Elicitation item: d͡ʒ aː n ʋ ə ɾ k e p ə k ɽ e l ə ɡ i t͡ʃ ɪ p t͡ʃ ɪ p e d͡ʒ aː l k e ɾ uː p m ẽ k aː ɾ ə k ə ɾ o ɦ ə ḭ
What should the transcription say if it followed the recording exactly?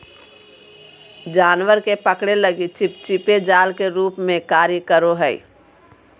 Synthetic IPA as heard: d͡ʒ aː n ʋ ə ɾ k e p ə k ɽ e l ə ɡ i t͡ʃ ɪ p t͡ʃ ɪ p e d͡ʒ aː l k e ɾ uː p m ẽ k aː ɾ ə k ə ɾ o ɦ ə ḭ